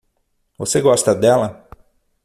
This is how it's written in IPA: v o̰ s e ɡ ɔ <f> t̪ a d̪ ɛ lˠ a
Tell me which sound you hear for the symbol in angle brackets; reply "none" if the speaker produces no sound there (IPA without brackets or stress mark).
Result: s